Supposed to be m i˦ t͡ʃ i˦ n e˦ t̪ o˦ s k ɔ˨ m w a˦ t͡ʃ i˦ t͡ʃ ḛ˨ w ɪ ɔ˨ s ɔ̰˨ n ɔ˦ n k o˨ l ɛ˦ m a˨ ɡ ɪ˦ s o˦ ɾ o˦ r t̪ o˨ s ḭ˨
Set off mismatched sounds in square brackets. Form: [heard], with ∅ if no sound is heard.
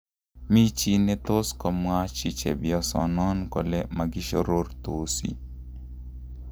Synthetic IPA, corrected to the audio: m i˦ t͡ʃ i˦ n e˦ t̪ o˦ s k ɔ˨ m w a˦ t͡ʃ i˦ t͡ʃ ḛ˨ [b] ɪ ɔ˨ s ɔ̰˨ n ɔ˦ n k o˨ l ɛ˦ m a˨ ɡ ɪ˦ [ʃ] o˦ ɾ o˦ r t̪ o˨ s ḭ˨